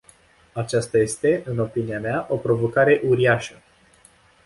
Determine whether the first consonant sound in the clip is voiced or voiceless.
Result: voiceless